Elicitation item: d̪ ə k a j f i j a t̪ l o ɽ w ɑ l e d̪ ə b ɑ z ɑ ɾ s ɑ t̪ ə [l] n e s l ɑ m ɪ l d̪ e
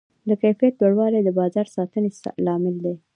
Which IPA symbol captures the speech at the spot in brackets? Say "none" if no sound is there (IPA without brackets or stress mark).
none